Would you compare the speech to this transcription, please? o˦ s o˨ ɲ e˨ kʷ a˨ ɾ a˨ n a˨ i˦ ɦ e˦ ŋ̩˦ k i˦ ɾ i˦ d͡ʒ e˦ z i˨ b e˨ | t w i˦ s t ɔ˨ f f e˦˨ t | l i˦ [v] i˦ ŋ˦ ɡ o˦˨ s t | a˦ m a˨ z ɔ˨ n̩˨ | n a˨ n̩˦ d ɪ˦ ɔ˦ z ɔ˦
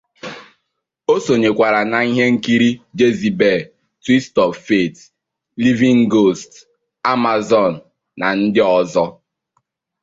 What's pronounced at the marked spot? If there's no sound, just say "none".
v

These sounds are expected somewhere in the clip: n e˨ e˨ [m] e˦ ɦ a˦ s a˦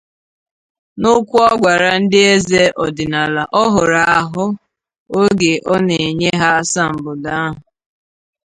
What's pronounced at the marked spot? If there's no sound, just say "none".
ɲ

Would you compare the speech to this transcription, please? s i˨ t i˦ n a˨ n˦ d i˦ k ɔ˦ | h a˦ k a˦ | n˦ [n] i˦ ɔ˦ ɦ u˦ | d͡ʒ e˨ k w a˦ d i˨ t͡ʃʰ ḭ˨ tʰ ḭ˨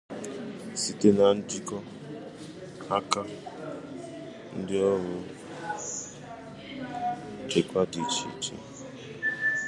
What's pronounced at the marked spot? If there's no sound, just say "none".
d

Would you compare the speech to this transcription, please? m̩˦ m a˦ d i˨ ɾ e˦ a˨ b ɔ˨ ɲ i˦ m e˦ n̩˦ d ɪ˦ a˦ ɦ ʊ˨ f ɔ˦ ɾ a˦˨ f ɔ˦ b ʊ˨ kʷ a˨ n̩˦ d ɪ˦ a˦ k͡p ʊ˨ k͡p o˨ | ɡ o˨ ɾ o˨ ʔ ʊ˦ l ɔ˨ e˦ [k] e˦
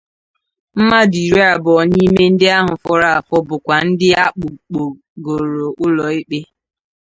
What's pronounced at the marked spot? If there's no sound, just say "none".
k͡p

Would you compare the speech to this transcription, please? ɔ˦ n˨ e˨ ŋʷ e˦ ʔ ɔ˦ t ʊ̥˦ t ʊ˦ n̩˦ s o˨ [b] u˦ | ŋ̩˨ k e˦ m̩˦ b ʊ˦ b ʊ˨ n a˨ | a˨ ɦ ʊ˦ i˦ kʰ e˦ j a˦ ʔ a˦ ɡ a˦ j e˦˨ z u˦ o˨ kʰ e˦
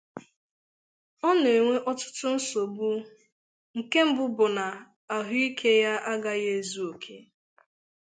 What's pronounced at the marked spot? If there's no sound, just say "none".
b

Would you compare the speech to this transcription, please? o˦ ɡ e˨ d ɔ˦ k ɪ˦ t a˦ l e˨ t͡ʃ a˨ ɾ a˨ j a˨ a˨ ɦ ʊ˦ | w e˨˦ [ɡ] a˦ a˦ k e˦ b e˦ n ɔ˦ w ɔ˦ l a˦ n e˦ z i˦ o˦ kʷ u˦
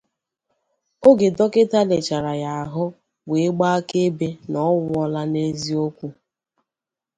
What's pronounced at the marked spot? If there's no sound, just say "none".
ɡ͡b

